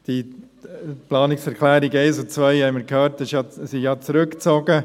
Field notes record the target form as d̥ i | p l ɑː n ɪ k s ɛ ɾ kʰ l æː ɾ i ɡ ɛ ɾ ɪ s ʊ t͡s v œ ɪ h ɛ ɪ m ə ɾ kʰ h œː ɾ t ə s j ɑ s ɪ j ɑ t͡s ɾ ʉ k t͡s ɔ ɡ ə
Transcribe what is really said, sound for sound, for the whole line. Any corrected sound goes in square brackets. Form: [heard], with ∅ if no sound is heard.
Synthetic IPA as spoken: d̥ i | p l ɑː n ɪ k s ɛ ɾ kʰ l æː ɾ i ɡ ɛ [∅] ɪ s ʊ t͡s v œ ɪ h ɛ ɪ m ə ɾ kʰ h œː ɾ t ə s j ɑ s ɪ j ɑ t͡s ɾ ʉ k t͡s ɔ ɡ ə